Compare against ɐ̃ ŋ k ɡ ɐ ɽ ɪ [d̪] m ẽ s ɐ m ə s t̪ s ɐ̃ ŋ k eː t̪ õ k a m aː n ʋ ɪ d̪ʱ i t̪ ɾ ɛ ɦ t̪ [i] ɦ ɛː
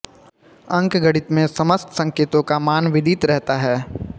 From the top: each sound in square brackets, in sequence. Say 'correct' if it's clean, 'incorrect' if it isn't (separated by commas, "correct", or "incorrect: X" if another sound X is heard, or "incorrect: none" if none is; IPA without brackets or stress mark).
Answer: incorrect: t̪, incorrect: a